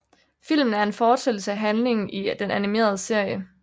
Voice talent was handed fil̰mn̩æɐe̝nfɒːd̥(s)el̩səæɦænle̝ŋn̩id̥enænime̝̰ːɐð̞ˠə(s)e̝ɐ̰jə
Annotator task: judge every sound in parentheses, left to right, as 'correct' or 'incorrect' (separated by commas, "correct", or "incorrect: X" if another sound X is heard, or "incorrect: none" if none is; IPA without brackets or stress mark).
correct, correct